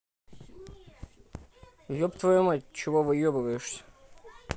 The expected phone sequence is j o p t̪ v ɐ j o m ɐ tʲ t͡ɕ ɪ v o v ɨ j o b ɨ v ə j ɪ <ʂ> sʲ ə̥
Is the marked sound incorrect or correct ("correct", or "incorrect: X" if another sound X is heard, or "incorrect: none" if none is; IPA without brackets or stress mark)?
correct